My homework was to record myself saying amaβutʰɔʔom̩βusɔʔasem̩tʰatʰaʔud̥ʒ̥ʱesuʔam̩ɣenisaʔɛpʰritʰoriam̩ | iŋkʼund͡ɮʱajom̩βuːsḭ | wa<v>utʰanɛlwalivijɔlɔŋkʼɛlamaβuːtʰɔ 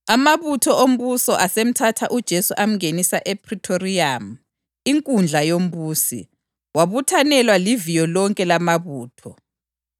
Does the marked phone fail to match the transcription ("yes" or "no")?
yes